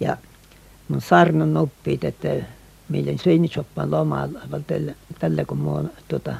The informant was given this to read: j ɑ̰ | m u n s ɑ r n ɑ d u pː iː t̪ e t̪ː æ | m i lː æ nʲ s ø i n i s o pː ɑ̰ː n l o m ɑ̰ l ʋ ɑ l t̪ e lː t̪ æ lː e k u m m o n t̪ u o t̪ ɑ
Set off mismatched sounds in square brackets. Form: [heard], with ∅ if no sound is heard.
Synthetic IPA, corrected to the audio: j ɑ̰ | m u n s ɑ r n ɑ [n] u pː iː t̪ e t̪ː æ | m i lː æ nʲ s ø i n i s o pː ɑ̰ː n l o m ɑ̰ l ʋ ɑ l t̪ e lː t̪ æ lː [æ] k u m m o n t̪ u o t̪ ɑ